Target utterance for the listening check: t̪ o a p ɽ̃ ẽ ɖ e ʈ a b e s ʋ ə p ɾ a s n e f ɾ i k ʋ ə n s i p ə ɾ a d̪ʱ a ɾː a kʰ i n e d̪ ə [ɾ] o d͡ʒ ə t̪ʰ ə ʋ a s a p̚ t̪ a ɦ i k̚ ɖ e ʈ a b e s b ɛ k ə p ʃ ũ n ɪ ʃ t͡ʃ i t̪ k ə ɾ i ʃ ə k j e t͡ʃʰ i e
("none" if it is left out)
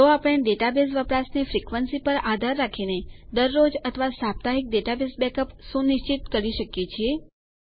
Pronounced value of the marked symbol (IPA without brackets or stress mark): ɾː